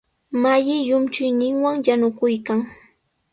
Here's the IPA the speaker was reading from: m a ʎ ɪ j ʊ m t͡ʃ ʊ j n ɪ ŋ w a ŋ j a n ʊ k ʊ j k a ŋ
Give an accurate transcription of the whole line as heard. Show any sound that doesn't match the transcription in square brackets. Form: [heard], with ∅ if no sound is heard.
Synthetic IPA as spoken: m a [j] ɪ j ʊ m t͡ʃ ʊ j n ɪ ŋ w a ŋ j a n ʊ k ʊ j k a ŋ